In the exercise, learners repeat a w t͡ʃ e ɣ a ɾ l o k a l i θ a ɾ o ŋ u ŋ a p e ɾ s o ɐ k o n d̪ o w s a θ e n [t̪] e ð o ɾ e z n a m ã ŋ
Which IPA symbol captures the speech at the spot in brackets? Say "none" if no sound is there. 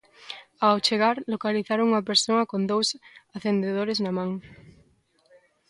d̪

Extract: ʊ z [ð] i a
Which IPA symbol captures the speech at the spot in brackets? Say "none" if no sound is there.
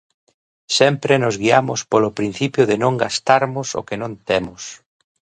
ɣ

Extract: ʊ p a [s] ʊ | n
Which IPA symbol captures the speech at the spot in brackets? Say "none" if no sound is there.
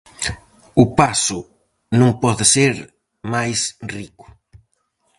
s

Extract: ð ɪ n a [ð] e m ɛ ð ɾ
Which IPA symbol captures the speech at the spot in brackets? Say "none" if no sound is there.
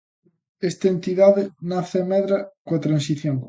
θ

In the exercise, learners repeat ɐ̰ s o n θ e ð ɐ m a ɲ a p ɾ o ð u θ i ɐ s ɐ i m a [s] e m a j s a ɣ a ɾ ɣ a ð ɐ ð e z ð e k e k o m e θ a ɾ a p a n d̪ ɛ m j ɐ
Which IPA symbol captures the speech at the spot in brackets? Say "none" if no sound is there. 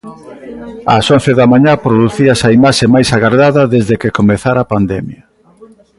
ʃ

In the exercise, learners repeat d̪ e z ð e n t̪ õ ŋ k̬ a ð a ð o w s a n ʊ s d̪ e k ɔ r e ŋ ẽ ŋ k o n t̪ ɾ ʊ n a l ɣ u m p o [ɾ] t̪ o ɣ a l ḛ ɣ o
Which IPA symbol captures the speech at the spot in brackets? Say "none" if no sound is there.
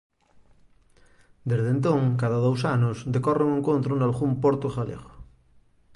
ɾ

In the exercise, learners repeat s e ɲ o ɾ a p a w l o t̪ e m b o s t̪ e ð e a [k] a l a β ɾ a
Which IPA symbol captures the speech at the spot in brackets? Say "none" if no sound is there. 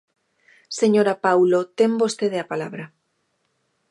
p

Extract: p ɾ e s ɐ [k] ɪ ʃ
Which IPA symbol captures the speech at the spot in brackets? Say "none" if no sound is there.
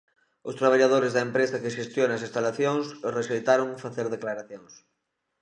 k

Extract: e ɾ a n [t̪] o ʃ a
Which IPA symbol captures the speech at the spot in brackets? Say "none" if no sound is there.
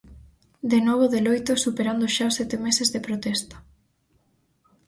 d̪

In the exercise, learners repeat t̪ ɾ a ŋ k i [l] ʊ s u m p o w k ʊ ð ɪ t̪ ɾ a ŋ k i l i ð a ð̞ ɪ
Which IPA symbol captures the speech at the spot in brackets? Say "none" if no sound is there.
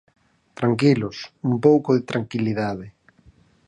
l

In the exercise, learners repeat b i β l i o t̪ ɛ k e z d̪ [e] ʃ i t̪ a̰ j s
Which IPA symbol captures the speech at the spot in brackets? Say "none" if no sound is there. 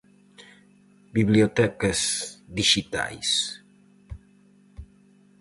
i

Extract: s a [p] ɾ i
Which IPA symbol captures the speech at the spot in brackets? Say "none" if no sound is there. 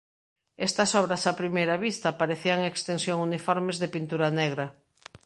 p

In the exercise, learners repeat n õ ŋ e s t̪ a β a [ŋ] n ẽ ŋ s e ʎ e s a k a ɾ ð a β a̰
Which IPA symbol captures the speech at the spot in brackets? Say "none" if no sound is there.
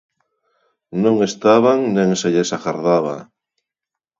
ŋ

